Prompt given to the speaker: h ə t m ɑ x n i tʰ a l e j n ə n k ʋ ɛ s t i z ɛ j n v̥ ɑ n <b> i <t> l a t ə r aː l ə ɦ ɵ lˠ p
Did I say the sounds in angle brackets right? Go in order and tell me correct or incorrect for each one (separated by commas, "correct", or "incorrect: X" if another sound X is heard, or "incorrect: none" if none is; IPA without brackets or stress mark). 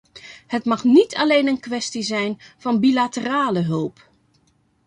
correct, incorrect: none